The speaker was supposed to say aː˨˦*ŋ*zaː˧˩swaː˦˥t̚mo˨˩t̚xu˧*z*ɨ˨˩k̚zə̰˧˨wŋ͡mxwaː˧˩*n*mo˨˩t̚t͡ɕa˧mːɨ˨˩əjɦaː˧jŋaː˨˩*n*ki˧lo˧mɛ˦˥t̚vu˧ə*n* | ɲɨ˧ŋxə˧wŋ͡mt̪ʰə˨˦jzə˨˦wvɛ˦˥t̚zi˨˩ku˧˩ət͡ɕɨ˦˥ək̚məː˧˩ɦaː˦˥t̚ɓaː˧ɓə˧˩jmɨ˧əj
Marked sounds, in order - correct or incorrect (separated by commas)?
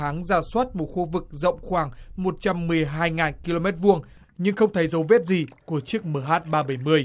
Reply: correct, incorrect, incorrect, correct, incorrect